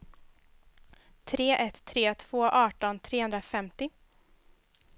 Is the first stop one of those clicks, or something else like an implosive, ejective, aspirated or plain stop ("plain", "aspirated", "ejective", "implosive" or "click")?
aspirated